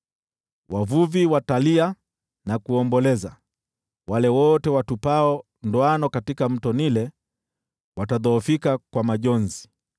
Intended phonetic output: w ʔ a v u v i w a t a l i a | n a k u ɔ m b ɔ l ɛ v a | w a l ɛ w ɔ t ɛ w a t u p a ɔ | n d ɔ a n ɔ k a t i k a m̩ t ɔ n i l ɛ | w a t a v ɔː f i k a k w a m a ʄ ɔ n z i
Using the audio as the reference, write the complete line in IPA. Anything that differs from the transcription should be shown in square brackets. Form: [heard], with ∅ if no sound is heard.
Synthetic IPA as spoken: w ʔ a v u v i w a t a l i a | n a k u ɔ m b ɔ l ɛ [z] a | w a l ɛ w ɔ t ɛ w a t u p a ɔ | n d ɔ a n ɔ k a t i k a m̩ t ɔ n i l ɛ | w a t a [ð] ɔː f i k a k w a m a ʄ ɔ n z i